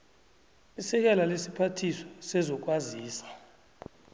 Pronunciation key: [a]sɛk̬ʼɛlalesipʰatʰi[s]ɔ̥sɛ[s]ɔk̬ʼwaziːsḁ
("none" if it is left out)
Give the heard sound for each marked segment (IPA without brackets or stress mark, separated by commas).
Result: i, s, z